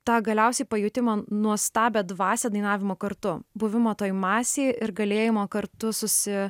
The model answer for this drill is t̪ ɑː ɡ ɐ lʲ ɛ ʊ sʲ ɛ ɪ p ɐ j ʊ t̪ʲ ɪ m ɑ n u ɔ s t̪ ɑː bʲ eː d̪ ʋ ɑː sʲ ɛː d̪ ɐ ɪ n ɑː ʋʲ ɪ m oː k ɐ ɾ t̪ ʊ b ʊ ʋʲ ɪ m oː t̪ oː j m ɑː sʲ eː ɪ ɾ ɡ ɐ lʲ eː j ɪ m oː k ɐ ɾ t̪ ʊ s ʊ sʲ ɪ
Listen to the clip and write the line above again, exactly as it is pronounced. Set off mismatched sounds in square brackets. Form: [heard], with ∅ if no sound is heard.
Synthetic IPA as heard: t̪ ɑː ɡ ɐ lʲ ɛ ʊ sʲ ɛ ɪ p ɐ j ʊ t̪ʲ ɪ m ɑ n u ɔ s t̪ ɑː bʲ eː d̪ ʋ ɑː sʲ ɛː d̪ ɐ ɪ n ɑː ʋʲ ɪ m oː k ɐ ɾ t̪ ʊ b ʊ ʋʲ ɪ m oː t̪ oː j m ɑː sʲ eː ɪ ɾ ɡ ɐ lʲ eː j ɪ m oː k ɐ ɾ t̪ ʊ s ʊ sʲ ɪ